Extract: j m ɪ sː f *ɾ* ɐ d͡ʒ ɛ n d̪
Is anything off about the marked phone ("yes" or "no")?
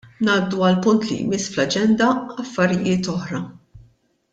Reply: yes